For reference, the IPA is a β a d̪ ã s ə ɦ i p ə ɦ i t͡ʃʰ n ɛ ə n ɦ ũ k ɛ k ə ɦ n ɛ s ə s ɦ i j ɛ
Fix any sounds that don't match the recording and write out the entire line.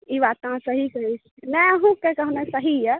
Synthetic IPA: i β a t̪ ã s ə ɦ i k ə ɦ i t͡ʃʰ n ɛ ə ɦ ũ k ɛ k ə ɦ n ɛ s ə ɦ i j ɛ